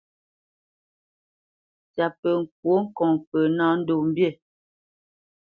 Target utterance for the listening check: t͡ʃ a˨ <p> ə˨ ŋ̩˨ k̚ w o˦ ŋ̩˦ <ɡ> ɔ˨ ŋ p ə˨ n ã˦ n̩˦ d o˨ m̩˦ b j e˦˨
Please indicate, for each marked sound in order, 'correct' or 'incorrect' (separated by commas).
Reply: correct, incorrect